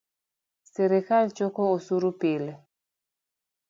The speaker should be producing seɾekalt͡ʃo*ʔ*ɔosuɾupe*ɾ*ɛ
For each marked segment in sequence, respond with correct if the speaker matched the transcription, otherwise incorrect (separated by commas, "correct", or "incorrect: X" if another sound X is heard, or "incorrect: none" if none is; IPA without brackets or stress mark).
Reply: incorrect: k, incorrect: l